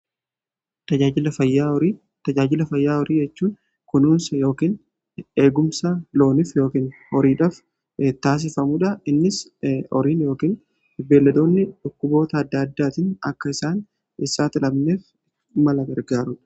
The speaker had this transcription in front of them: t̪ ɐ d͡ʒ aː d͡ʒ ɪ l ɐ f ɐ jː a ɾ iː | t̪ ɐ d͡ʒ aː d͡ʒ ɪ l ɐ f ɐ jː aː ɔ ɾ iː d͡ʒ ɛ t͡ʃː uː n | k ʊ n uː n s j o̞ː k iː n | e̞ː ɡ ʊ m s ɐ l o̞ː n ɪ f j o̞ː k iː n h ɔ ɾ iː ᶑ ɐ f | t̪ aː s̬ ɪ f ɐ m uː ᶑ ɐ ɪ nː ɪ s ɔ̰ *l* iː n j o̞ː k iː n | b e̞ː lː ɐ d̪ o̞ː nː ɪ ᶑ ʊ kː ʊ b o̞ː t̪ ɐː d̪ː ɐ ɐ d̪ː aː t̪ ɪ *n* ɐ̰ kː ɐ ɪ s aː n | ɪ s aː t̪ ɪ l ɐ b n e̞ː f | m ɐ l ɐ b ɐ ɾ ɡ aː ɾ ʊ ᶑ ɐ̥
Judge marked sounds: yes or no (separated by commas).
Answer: no, yes